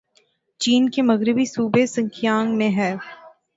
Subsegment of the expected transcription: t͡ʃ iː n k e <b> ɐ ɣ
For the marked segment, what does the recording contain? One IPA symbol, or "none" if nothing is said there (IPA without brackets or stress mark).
m